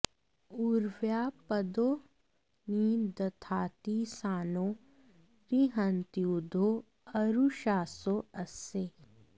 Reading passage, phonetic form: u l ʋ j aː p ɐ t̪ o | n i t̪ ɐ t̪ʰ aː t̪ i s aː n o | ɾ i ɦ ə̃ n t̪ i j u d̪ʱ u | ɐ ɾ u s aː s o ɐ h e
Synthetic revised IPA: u ɾ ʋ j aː p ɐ d̪ o | n i d̪ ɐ t̪ʰ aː t̪ i s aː n o | ɾ i ɦ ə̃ n t̪ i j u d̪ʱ o | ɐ ɾ u ʃ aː s o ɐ s e